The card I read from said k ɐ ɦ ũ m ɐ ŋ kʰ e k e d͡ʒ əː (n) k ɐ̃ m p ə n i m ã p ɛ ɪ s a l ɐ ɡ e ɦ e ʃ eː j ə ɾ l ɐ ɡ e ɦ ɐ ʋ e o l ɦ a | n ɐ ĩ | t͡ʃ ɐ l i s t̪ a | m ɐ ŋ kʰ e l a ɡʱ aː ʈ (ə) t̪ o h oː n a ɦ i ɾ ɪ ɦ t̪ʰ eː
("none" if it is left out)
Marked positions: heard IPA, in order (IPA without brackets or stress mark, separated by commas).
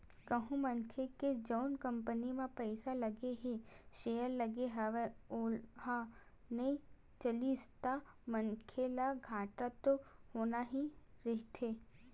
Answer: n, a